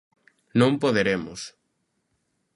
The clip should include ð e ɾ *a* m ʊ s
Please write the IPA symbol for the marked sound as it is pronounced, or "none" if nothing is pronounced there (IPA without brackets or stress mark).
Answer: e